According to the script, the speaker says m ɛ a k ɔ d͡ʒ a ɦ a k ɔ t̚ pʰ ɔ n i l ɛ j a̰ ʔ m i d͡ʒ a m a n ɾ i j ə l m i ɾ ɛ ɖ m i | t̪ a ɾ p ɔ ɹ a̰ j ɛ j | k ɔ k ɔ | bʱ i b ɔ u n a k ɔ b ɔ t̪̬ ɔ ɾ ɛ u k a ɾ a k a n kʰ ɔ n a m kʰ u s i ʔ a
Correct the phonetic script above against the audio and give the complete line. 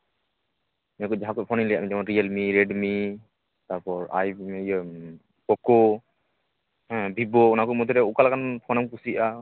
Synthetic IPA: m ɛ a k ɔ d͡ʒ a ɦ a k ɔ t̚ pʰ ɔ n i l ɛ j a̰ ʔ m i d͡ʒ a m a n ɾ i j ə l m i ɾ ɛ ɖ m i | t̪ a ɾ p ɔ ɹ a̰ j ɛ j | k ɔ k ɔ | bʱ i b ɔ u n a k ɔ m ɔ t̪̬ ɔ ɾ ɛ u k a l a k a n pʰ ɔ n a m k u s i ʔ a